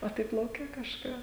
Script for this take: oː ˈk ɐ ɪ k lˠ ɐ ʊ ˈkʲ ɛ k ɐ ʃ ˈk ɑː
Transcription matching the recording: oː ˈt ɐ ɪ p lˠ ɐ ʊ ˈkʲ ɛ k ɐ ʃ ˈk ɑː